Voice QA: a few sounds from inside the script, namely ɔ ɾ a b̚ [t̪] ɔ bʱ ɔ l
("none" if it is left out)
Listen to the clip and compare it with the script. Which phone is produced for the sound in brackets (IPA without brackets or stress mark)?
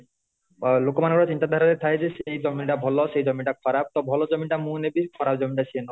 t̪